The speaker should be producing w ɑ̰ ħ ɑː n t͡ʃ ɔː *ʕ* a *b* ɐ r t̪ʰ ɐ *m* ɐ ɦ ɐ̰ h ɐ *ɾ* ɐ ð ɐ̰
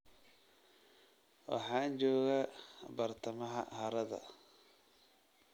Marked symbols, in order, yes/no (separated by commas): no, yes, yes, yes